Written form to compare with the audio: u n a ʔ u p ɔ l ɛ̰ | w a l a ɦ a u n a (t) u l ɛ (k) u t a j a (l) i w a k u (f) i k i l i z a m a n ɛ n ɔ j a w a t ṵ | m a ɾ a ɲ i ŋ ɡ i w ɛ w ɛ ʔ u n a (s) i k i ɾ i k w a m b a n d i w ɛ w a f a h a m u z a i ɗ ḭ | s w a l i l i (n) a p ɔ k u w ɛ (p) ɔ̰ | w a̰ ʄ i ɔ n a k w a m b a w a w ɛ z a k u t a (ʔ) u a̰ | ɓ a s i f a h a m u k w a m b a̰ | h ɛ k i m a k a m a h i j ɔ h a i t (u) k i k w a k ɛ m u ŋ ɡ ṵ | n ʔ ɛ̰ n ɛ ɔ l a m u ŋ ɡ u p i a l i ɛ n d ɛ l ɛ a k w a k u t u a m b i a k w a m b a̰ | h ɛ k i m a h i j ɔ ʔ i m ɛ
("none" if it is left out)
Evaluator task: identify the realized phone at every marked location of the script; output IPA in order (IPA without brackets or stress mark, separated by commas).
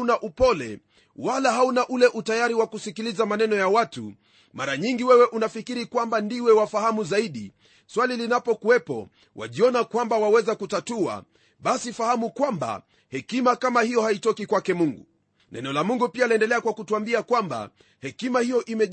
ʔ, ʔ, ɾ, s, f, n, p, t, ɔ